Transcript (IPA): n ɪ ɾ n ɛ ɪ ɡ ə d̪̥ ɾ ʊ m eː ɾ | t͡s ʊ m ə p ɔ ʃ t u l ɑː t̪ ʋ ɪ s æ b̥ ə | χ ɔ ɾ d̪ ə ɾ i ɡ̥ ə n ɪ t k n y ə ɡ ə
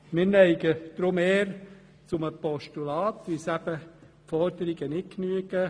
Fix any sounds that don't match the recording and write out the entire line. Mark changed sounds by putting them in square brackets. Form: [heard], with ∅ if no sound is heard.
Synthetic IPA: [m] ɪ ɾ n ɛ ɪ ɡ ə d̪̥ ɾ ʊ m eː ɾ | t͡s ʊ m ə p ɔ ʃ t u l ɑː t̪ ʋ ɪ s æ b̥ ə | [f] ɔ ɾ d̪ ə ɾ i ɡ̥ ə n ɪ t k n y ə ɡ ə